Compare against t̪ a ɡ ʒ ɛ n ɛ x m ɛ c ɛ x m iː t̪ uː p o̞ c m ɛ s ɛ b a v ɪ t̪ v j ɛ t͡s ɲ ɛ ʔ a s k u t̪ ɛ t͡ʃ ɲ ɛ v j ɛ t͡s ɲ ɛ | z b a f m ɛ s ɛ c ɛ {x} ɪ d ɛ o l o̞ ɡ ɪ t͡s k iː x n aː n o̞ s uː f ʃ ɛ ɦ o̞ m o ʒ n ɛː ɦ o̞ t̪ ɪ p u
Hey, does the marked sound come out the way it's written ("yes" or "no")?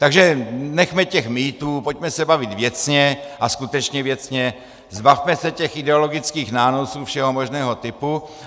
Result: yes